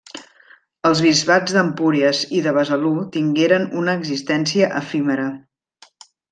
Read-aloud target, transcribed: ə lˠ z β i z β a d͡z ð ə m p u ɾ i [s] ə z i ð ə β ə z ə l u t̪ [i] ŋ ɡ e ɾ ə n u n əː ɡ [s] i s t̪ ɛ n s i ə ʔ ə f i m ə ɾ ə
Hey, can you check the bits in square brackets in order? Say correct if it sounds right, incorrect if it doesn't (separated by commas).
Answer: incorrect, correct, incorrect